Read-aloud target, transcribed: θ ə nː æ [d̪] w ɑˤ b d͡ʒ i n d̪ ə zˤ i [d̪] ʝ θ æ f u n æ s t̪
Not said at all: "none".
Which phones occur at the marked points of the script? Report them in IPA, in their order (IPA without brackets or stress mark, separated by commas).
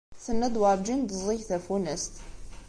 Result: d̪, none